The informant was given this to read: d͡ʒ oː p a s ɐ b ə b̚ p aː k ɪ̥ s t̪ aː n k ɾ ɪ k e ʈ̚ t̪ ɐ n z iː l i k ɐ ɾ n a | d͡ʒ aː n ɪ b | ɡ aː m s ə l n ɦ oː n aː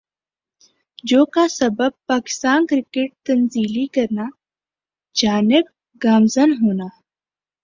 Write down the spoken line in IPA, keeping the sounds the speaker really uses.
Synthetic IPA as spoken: d͡ʒ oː k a s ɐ b ə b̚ p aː k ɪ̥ s t̪ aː n k ɾ ɪ k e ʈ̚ t̪ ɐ n z iː l i k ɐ ɾ n a | d͡ʒ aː n ɪ b | ɡ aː m z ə n ɦ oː n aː

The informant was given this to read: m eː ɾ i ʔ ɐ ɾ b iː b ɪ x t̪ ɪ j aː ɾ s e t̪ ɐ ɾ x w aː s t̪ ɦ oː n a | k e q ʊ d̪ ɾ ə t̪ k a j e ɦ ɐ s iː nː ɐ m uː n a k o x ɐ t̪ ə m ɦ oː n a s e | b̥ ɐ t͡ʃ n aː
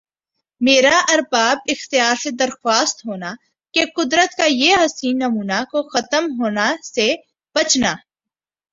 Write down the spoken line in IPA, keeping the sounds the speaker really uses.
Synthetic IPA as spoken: m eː ɾ a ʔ ɐ ɾ b aː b ɪ x t̪ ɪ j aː ɾ s e d̪ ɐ ɾ x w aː s t̪ ɦ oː n a | k e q ʊ d̪ ɾ ə t̪ k a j e ɦ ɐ s iː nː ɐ m uː n a k o x ɐ t̪ ə m ɦ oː n a s e | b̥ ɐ t͡ʃ n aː

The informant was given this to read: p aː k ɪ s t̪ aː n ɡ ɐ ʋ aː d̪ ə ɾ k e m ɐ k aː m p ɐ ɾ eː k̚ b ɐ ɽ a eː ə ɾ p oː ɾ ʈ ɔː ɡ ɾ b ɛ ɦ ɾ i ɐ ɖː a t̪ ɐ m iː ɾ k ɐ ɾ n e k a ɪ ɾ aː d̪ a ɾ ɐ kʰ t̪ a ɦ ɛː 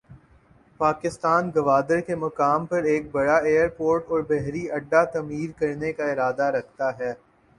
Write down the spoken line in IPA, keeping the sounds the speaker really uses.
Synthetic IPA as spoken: p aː k ɪ s t̪ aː n ɡ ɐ ʋ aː d̪ ə ɾ k e m ɐ k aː m p ɐ ɾ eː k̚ b ɐ ɽ a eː ə ɾ p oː ɾ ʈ ɔː ɾ b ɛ ɦ ɾ i ɐ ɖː a t̪ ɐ m iː ɾ k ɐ ɾ n e k a ɪ ɾ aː d̪ a ɾ ɐ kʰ t̪ a ɦ ɛː

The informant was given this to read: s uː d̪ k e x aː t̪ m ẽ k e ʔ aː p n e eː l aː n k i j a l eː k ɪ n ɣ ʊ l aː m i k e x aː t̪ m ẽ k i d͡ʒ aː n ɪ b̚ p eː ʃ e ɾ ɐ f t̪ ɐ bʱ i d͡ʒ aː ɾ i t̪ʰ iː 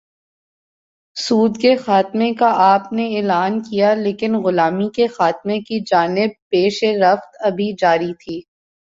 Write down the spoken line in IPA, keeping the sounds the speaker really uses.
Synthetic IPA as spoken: s uː d̪ k e x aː t̪ m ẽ k a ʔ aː p n e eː l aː n k i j a l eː k ɪ n ɣ ʊ l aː m i k e x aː t̪ m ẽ k i d͡ʒ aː n ɪ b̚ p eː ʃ e ɾ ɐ f t̪ ɐ bʱ i d͡ʒ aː ɾ i t̪ʰ iː

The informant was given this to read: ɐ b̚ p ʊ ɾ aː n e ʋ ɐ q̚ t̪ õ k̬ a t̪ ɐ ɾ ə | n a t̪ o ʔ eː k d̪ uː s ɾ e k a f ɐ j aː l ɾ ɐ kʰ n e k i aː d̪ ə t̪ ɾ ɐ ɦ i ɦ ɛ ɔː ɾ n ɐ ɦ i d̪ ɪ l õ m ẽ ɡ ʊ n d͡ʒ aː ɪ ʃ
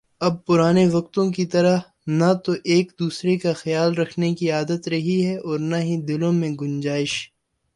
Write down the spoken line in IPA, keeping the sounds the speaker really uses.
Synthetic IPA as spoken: ɐ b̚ p ʊ ɾ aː n e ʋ ɐ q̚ t̪ õ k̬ i t̪ ɐ ɾ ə | n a t̪ o ʔ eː k d̪ uː s ɾ e k a x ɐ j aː l ɾ ɐ kʰ n e k i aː d̪ ə t̪ ɾ ɐ ɦ i ɦ ɛ ɔː ɾ n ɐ ɦ i d̪ ɪ l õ m ẽ ɡ ʊ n d͡ʒ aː ɪ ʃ

